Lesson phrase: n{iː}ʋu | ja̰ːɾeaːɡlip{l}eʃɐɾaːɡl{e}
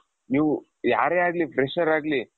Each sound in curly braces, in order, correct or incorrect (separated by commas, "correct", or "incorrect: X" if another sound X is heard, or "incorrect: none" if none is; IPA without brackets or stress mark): correct, incorrect: ɾ, incorrect: i